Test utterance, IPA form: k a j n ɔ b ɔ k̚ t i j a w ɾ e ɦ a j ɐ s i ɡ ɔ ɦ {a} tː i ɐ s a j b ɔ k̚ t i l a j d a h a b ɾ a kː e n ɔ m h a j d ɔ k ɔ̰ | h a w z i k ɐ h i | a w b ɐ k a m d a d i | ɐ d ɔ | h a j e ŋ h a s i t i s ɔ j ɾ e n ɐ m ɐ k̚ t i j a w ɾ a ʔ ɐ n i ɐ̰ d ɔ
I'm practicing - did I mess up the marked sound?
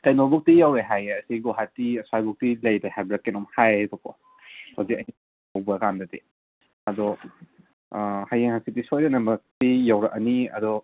no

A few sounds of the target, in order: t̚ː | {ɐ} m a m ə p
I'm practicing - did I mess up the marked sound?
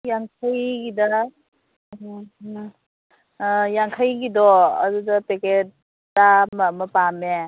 yes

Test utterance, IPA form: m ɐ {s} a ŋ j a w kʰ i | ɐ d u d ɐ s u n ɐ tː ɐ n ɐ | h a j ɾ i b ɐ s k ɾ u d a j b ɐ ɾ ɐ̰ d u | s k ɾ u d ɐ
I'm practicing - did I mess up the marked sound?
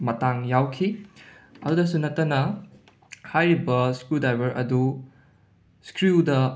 yes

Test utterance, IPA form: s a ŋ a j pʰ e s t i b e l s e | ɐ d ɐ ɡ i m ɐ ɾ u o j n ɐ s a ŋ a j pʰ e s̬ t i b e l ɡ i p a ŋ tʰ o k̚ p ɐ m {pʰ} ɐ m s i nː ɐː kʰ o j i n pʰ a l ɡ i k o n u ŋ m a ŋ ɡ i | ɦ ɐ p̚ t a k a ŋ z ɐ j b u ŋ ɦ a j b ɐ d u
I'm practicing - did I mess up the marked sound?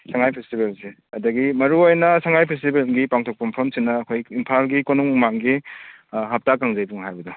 no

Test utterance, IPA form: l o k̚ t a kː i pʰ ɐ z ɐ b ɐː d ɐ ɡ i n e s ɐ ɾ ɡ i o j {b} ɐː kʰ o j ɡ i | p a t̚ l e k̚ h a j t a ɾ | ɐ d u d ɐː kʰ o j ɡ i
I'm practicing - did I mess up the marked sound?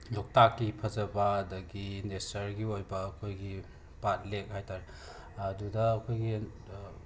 no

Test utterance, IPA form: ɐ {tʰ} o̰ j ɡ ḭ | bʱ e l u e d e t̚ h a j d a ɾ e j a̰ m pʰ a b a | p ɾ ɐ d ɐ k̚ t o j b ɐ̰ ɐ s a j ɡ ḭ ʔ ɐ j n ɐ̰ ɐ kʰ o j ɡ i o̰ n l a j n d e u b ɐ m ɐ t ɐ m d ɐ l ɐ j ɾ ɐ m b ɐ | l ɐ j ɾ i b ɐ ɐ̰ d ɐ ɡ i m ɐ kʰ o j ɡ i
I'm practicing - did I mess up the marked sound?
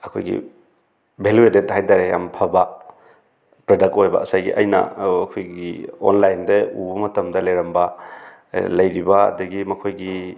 yes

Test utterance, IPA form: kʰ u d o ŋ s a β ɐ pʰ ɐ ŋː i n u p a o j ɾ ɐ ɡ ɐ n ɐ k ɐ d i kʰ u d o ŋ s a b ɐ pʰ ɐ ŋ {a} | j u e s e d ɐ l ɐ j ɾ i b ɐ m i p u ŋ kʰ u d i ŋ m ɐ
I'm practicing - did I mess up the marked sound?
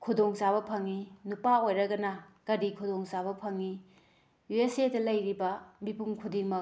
yes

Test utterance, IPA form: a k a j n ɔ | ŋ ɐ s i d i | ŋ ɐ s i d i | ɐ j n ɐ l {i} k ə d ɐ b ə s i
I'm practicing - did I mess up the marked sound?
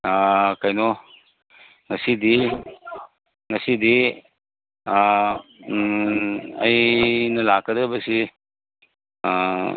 yes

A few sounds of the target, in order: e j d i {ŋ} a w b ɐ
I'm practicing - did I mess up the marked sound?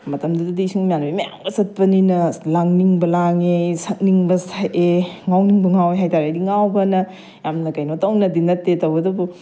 no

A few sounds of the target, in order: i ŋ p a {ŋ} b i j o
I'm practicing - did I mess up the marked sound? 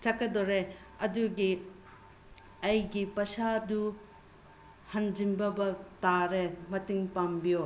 yes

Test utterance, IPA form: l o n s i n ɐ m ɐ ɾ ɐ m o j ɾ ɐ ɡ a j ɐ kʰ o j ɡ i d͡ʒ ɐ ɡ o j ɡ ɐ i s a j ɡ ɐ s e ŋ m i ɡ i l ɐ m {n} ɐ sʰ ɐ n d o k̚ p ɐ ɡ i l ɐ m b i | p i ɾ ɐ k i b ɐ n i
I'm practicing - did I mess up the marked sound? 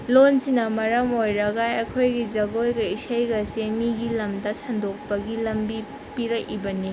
yes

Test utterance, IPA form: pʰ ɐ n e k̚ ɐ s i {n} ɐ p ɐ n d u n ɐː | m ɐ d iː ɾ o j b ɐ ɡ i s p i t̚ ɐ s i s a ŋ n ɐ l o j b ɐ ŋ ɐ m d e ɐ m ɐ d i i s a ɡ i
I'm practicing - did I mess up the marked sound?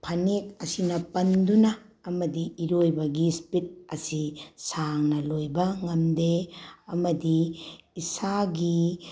no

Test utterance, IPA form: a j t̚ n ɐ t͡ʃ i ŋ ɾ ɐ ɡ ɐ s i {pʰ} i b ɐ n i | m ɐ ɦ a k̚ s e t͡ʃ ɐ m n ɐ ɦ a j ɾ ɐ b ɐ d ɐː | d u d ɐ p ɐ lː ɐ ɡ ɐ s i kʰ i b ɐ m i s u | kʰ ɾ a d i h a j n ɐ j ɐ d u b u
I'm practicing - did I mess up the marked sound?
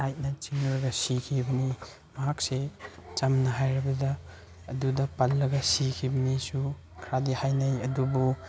yes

